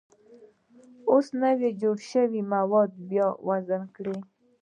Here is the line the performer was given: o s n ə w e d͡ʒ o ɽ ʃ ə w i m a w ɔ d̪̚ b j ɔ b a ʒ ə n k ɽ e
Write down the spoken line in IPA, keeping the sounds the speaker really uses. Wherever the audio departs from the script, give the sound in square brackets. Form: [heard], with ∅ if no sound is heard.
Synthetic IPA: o s n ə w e d͡ʒ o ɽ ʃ ə w i m a w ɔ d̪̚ b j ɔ [w] a [z] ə n k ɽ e